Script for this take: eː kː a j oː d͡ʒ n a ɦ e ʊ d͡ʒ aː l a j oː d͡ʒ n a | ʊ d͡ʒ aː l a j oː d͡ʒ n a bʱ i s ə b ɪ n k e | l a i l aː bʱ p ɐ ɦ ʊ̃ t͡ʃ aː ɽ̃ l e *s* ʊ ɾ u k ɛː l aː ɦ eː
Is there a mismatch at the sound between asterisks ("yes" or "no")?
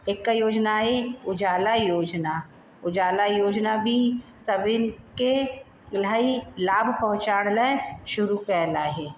yes